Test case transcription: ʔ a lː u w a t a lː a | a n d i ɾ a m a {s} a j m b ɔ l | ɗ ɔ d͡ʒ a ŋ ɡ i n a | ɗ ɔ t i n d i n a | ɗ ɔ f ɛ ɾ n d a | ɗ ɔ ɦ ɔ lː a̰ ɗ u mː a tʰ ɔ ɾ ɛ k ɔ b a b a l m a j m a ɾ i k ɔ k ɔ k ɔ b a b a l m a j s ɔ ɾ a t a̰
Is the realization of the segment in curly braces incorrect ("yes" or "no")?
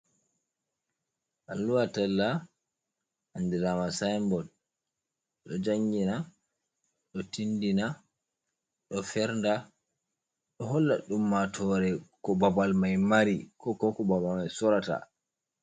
no